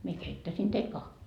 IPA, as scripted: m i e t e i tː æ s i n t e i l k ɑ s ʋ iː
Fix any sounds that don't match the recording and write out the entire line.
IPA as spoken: m i e k e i tː æ s i n t e i l k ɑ h ʋ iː